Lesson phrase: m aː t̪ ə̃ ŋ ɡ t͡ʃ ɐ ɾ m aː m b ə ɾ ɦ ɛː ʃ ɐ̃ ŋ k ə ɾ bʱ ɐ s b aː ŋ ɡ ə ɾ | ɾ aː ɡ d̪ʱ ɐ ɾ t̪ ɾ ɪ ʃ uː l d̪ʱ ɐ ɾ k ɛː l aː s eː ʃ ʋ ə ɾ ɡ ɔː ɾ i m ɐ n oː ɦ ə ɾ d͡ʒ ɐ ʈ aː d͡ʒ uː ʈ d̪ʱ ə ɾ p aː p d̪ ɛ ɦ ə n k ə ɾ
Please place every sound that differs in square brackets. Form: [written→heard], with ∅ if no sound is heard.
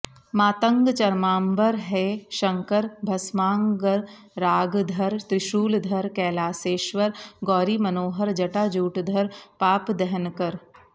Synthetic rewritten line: m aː t̪ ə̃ ŋ ɡ t͡ʃ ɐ ɾ m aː m b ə ɾ ɦ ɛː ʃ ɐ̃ ŋ k ə ɾ bʱ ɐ s [b→m] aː ŋ ɡ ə ɾ | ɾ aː ɡ d̪ʱ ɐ ɾ t̪ ɾ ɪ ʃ uː l d̪ʱ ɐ ɾ k ɛː l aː s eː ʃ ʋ ə ɾ ɡ ɔː ɾ i m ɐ n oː ɦ ə ɾ d͡ʒ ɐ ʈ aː d͡ʒ uː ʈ d̪ʱ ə ɾ p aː p d̪ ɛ ɦ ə n k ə ɾ